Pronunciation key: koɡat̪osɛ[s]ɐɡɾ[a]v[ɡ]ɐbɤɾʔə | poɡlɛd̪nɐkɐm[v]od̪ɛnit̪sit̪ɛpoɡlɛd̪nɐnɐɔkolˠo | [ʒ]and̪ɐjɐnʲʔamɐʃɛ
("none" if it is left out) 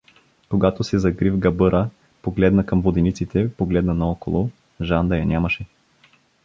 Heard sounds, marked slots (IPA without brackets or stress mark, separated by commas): z, i, ɡ, v, ʒ